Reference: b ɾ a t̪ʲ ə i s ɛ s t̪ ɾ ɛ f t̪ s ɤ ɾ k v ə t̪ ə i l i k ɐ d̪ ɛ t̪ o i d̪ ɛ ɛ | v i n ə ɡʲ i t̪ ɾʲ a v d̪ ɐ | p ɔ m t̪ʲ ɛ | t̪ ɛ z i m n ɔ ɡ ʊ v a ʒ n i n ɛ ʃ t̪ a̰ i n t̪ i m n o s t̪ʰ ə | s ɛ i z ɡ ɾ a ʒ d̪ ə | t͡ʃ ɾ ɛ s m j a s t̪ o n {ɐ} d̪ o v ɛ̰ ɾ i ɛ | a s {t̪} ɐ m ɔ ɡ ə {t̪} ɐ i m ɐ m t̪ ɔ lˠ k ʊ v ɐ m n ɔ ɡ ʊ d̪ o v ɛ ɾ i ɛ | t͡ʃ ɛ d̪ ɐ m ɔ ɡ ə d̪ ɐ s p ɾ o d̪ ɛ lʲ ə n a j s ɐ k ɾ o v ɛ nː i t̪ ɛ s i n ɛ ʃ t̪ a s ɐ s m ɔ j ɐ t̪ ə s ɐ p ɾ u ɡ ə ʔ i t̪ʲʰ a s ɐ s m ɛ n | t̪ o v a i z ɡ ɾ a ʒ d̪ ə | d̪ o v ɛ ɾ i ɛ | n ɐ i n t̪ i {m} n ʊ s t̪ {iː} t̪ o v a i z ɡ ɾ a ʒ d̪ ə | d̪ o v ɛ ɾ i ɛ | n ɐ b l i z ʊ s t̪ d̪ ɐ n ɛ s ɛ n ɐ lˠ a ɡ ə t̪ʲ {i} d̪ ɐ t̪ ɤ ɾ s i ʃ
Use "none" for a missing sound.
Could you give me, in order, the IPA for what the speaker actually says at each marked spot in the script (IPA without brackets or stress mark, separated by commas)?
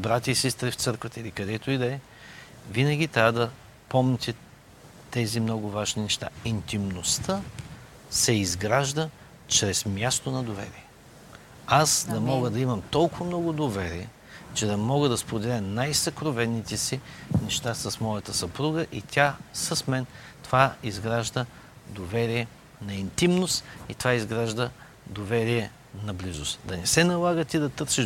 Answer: ɐ, d̪, d̪, m, i, i